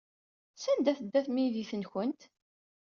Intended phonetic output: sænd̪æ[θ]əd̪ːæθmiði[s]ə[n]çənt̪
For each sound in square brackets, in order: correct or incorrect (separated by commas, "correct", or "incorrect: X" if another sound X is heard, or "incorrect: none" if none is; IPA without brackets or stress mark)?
correct, incorrect: θ, correct